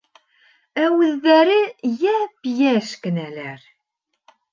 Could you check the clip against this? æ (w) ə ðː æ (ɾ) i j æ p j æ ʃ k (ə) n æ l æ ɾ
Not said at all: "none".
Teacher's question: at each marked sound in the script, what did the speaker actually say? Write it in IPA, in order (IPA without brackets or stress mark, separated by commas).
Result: w, ɾ, ə